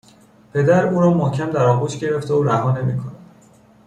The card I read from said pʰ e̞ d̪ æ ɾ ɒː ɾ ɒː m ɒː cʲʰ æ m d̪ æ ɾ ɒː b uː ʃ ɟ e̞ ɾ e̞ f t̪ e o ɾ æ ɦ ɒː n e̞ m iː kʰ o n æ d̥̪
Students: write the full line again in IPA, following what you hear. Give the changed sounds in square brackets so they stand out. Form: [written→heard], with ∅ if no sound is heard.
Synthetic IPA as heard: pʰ e̞ d̪ æ ɾ [ɒː→uː] ɾ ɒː m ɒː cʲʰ æ m d̪ æ ɾ ɒː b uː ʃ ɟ e̞ ɾ e̞ f t̪ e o ɾ æ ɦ ɒː n e̞ m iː kʰ o n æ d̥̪